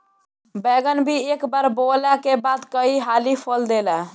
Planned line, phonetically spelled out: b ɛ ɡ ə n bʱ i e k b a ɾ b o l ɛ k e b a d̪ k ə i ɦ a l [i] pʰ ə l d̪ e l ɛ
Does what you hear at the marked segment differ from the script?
no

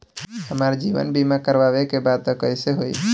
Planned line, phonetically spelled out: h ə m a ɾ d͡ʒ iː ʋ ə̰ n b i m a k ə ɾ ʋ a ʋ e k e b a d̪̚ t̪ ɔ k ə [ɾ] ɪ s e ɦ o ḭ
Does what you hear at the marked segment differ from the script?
yes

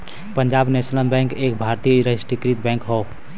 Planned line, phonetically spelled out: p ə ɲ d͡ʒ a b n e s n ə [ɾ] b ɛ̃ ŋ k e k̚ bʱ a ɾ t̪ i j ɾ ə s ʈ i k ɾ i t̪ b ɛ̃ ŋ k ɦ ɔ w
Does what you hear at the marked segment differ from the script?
yes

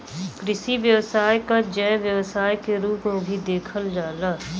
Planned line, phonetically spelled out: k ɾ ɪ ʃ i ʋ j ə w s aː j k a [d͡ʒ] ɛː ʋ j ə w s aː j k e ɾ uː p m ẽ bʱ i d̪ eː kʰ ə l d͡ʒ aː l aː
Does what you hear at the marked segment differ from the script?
no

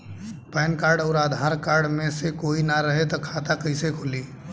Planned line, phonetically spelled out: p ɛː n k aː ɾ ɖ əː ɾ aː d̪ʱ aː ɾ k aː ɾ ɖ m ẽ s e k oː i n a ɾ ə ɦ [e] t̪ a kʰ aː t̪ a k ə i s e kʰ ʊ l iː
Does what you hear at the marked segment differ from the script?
no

